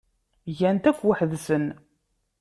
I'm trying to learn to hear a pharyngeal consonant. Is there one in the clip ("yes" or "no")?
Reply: yes